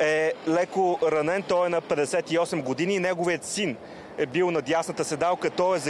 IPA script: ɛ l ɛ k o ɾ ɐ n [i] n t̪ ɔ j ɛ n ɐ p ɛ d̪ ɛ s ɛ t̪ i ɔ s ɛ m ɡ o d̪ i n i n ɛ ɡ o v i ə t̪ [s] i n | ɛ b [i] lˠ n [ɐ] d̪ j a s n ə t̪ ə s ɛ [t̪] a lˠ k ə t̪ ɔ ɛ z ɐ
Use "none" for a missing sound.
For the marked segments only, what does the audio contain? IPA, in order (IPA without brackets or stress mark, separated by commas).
ɛ, s, i, ɐ, d̪